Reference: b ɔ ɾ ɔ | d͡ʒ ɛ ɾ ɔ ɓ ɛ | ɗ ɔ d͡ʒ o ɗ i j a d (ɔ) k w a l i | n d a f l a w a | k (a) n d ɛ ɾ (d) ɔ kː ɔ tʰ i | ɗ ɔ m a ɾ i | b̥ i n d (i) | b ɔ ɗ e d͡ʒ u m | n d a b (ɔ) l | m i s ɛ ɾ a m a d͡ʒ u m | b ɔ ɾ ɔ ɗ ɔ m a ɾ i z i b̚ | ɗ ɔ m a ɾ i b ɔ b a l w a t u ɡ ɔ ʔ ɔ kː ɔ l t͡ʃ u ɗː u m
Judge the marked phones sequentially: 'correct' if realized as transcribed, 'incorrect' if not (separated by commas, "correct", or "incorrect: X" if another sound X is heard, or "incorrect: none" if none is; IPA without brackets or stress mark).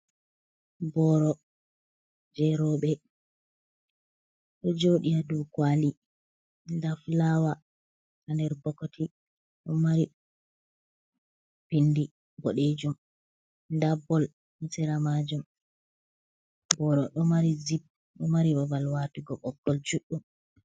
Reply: incorrect: u, correct, incorrect: b, correct, correct